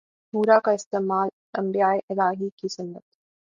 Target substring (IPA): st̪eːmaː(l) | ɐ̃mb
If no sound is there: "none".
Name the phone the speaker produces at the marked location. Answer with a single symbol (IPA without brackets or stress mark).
l